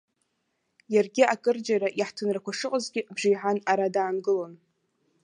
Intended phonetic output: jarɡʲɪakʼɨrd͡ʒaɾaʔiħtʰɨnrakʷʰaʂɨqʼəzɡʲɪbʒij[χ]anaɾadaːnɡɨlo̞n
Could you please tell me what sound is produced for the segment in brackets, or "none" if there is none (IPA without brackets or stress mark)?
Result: ħ